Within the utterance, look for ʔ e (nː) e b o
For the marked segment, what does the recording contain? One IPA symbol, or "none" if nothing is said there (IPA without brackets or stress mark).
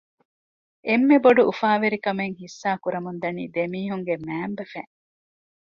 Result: mː